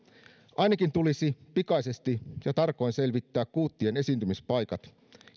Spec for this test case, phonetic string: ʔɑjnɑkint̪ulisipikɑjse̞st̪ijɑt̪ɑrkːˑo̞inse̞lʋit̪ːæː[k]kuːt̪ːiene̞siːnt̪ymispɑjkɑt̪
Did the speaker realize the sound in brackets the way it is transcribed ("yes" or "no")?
yes